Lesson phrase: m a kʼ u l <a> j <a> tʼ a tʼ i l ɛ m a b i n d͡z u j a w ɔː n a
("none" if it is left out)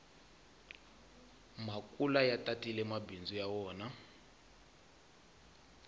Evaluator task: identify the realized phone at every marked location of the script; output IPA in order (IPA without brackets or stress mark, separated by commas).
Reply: a, a